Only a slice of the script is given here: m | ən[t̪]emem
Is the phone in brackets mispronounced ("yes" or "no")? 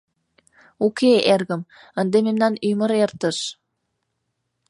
yes